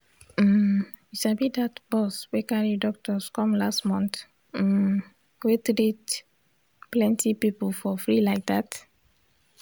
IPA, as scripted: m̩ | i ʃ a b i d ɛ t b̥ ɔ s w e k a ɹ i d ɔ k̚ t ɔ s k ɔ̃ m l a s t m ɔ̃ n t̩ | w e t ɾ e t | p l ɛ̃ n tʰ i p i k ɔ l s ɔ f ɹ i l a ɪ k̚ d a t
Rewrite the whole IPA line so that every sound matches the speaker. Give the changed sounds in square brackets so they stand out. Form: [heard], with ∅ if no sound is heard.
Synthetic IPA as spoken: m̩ | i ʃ a b i d [a] t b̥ ɔ s w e k a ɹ i d ɔ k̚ t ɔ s k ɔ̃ m l a s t m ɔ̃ n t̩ | w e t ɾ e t | p l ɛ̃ n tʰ i p i [p] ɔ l [f] ɔ f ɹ i l a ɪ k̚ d a t